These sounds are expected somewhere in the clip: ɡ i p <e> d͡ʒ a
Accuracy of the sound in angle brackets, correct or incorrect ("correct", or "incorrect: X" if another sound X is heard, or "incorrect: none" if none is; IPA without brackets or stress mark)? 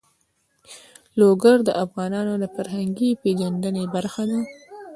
correct